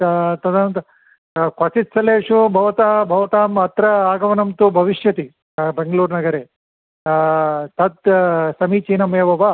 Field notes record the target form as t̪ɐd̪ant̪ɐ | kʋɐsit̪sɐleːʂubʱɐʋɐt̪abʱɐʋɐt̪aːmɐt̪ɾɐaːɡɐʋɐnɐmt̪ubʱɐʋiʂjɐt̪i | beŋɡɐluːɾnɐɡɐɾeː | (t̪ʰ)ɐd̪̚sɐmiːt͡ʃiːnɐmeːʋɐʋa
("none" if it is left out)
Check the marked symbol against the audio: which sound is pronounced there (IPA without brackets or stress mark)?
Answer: t̪